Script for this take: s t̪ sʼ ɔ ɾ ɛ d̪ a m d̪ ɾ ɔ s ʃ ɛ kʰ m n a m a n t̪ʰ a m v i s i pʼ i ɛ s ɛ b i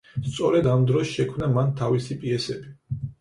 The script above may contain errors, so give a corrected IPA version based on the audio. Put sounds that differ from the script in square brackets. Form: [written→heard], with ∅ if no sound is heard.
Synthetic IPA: s t̪ sʼ ɔ ɾ ɛ d̪ a m d̪ ɾ ɔ s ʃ ɛ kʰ m n a m a n t̪ʰ a [m→∅] v i s i pʼ i ɛ s ɛ b i